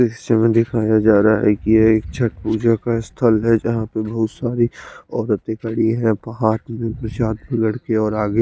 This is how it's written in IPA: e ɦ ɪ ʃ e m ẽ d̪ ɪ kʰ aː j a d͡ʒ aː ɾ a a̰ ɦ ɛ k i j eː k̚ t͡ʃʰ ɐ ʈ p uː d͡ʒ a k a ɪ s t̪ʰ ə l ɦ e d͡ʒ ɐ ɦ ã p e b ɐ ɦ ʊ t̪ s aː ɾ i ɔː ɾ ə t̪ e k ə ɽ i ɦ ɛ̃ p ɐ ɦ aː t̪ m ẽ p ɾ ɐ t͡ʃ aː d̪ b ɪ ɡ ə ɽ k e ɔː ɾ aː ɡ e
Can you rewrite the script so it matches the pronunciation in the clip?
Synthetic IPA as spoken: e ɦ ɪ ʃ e m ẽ d̪ ɪ kʰ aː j a d͡ʒ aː ɾ a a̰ ɦ ɛ k i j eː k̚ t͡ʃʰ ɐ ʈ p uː d͡ʒ a k a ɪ s t̪ʰ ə l ɦ ɛ d͡ʒ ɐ ɦ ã p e b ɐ ɦ ʊ t̪ s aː ɾ i ɔː ɾ ə t̪ e k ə ɽ i ɦ ɛ̃ p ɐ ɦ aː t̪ m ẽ p ɾ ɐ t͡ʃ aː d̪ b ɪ ɡ ə ɽ k e ɔː ɾ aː ɡ e